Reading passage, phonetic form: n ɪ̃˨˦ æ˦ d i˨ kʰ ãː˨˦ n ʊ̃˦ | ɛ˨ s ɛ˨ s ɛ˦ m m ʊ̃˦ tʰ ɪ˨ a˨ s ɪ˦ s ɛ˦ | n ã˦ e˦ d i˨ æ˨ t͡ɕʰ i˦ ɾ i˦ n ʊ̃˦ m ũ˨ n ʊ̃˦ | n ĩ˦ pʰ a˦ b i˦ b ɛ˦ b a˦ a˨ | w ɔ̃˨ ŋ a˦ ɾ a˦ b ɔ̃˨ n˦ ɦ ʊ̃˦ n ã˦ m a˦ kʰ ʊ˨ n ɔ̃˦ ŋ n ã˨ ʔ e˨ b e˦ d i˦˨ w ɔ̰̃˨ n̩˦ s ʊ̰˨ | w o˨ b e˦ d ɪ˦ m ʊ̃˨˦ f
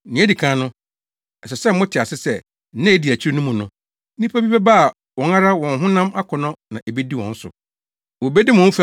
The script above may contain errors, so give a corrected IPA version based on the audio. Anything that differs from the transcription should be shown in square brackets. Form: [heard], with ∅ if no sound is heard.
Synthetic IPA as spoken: n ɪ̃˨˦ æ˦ d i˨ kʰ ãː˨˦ n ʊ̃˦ | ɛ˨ s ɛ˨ s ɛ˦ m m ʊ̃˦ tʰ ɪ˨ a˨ s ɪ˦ s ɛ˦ | n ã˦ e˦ d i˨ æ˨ t͡ɕʰ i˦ ɾ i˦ n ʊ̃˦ m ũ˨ n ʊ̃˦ | n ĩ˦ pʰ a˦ b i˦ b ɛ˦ b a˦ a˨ | w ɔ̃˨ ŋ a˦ ɾ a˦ [w] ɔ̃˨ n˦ ɦ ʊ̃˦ n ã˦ m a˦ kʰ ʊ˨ n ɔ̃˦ [∅] n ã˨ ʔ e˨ b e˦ d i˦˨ w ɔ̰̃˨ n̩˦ s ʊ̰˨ | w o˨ b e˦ d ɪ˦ m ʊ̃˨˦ f